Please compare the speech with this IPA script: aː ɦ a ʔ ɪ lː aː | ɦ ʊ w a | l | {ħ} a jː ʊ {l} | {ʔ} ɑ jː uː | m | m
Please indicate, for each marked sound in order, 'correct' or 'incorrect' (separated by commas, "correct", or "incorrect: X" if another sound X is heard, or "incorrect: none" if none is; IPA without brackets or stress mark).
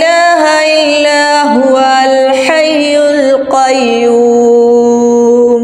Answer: correct, correct, incorrect: q